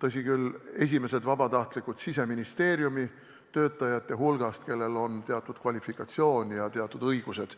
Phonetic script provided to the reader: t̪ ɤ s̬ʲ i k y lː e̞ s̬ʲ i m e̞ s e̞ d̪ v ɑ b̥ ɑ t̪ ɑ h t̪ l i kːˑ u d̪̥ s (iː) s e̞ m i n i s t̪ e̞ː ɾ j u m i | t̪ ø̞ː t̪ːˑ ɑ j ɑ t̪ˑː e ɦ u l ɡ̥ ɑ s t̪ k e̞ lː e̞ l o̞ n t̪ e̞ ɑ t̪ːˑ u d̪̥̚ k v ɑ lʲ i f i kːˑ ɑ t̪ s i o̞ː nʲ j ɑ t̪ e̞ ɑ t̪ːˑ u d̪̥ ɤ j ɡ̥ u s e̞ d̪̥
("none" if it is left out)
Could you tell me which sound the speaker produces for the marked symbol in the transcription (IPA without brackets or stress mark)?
i